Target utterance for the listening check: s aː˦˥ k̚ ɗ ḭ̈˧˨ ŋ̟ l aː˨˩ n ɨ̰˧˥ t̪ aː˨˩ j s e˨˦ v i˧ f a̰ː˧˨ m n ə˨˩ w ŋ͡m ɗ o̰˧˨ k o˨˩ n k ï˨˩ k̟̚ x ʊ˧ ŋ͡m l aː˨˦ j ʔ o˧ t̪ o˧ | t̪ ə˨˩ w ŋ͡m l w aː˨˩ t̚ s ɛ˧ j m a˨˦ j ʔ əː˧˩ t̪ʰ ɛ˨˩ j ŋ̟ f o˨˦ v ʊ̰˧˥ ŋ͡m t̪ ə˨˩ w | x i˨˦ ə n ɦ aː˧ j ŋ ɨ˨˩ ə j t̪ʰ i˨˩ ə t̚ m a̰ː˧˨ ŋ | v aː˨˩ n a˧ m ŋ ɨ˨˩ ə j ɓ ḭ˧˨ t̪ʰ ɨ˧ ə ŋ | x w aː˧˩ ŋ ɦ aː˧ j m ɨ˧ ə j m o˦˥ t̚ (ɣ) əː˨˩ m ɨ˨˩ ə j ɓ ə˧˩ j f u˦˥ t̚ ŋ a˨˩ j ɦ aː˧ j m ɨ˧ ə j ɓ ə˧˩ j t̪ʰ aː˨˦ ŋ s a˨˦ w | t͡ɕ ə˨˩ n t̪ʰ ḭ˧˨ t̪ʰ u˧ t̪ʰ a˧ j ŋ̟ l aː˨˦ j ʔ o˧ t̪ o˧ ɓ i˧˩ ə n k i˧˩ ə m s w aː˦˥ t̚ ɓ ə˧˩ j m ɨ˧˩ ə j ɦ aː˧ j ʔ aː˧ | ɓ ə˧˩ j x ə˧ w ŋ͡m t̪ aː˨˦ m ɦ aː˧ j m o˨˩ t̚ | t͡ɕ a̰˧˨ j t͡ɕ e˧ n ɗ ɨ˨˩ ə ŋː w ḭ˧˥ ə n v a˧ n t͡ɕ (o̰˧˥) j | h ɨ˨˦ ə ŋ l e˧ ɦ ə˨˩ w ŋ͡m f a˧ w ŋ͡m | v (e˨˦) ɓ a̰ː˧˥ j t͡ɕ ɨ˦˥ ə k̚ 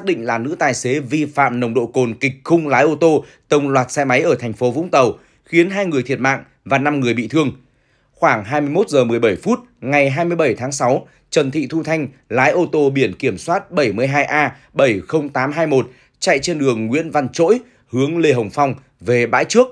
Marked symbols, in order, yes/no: no, yes, no

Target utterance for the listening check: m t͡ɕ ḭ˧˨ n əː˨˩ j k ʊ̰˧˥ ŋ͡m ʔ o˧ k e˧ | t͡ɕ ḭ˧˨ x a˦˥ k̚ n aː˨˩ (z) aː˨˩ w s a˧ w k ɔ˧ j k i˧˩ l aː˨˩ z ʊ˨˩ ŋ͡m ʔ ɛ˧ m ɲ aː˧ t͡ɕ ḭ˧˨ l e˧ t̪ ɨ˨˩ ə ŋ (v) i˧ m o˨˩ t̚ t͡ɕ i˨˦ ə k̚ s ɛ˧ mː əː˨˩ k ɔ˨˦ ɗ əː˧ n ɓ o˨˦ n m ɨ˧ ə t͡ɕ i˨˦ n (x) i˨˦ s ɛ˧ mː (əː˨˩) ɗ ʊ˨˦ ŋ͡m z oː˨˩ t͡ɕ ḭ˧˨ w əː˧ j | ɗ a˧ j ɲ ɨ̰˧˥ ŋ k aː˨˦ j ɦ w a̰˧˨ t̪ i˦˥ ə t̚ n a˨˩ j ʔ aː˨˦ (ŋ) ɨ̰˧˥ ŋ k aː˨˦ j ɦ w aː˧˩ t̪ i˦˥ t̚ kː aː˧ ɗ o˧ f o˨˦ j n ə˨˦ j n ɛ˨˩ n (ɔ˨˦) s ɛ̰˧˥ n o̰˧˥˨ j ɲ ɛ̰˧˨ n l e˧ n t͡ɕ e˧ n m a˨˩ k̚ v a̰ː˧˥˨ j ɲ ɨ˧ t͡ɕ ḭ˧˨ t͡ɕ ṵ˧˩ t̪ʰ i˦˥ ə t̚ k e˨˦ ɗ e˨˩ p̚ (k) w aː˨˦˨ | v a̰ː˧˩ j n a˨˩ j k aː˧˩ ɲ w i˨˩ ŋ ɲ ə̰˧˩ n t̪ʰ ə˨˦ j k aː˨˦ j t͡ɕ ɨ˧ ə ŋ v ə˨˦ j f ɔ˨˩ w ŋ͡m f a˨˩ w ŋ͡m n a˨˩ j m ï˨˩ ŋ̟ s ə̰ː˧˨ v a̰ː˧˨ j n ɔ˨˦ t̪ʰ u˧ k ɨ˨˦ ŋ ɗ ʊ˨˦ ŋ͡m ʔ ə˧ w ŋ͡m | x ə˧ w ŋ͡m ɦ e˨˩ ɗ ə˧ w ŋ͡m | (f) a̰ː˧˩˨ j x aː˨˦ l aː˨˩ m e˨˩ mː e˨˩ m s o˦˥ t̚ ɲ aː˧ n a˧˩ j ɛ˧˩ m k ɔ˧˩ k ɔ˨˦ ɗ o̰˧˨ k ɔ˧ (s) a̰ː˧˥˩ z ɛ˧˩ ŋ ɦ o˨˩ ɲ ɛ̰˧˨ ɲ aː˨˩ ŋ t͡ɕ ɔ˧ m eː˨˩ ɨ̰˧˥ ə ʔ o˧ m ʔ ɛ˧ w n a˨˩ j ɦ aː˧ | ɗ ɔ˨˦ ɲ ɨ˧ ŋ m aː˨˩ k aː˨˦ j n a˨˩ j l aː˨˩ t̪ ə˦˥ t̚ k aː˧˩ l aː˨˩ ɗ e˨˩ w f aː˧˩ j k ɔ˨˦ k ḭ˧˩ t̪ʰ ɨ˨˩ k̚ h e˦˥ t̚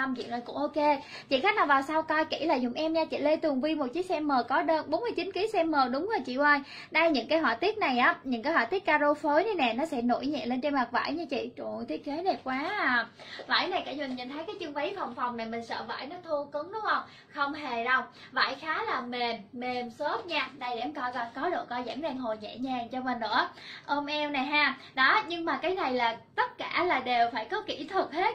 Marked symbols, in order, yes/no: no, yes, no, yes, no, yes, yes, no, no

